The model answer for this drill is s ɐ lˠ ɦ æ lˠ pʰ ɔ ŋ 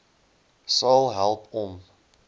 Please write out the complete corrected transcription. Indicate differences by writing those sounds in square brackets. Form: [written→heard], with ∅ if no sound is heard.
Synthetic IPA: s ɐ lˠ ɦ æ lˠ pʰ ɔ [ŋ→m]